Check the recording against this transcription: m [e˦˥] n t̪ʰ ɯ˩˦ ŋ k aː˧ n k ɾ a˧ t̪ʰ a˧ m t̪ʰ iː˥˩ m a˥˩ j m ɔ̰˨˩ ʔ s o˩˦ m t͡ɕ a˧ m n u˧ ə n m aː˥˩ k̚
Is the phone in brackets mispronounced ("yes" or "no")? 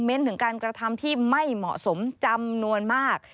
no